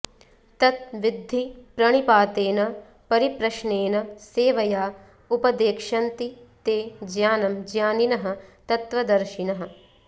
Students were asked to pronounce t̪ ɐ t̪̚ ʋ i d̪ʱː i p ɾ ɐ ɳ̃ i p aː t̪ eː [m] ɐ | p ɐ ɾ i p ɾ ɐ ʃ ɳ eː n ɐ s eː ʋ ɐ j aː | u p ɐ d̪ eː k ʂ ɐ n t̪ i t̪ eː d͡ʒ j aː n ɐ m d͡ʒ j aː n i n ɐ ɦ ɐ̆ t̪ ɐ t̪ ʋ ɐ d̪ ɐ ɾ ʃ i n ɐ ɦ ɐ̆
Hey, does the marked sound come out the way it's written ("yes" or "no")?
no